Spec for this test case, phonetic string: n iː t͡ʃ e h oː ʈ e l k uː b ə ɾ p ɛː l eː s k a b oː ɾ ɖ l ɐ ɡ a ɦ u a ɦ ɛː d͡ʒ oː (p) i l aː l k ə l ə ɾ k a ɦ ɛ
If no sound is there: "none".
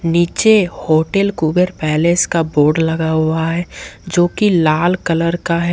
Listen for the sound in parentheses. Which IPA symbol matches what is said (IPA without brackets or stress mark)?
k